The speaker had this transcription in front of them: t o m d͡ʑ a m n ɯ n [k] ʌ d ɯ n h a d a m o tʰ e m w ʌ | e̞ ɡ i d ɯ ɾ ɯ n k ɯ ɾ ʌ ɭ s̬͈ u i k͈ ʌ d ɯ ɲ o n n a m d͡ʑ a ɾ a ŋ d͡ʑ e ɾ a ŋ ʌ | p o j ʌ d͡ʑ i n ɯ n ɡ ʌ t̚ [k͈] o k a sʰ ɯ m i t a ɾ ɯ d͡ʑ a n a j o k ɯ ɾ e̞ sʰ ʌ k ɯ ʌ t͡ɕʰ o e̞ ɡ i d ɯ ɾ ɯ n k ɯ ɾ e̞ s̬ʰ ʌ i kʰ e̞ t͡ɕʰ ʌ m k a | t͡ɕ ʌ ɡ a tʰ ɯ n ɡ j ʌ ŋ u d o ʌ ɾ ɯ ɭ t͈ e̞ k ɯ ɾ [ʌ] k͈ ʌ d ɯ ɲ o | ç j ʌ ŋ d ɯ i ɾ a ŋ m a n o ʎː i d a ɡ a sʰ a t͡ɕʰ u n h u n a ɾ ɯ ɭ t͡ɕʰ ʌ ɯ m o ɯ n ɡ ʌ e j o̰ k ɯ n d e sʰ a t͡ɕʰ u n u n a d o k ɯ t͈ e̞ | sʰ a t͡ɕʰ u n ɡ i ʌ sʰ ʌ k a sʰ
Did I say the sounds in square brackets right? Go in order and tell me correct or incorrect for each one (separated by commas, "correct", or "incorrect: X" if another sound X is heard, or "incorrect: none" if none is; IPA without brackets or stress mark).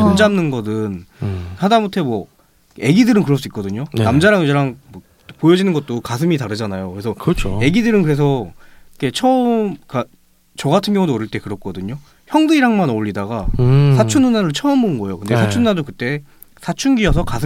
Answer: incorrect: ɡ, incorrect: t͈, correct